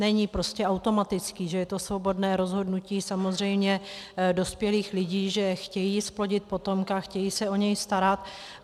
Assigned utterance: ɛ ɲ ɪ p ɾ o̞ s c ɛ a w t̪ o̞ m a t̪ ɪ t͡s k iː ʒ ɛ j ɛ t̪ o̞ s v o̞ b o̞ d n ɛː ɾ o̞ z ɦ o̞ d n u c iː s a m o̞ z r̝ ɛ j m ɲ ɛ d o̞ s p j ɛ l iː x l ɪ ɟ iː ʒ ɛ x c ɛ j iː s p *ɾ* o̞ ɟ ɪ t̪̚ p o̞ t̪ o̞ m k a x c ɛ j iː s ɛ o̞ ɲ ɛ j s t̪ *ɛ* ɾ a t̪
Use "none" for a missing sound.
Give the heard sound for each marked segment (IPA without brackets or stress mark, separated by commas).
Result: l, a